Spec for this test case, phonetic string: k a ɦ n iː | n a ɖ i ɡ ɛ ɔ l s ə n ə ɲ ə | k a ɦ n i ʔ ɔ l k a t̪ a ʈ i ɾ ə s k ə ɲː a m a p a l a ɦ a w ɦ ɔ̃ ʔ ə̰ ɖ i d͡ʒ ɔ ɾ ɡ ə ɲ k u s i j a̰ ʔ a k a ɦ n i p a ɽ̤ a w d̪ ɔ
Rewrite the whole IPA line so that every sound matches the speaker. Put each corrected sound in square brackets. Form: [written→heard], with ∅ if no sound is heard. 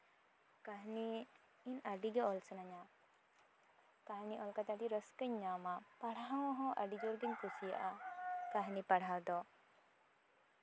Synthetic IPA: k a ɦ n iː | n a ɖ i ɡ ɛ ɔ l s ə n [ə→a] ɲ [ə→a] | k a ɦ n i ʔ ɔ l k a t̪ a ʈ i ɾ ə s k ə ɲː a m a p a [l→ɽ] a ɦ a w ɦ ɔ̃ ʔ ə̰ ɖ i d͡ʒ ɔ ɾ ɡ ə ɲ k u s i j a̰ ʔ a k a ɦ n i p a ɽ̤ a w d̪ ɔ